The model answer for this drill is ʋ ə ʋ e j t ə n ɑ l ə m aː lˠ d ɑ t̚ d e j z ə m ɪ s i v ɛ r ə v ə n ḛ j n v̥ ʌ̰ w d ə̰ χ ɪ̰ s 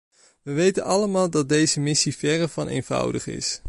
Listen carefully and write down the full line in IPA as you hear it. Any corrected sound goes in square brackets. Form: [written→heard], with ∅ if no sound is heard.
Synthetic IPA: ʋ ə ʋ e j t ə n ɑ l ə m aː lˠ d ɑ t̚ d e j z ə m ɪ s i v ɛ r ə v [ə→ɑ] n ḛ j n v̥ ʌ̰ w d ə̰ χ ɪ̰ s